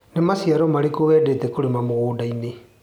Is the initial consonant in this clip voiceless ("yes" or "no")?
no